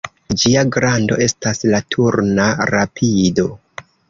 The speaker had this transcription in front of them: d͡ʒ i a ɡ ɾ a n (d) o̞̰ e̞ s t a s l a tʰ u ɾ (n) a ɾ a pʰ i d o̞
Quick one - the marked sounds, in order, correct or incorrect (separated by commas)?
correct, correct